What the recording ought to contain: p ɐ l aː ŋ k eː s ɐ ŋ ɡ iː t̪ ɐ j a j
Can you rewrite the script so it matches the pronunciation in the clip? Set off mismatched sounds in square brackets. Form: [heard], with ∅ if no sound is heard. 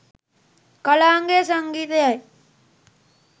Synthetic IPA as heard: [k] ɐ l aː ŋ [ɡ] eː s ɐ ŋ ɡ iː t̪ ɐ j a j